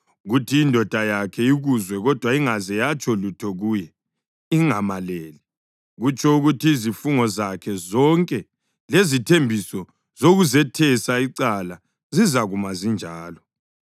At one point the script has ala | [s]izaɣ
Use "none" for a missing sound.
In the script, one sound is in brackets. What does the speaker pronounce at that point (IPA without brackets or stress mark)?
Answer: z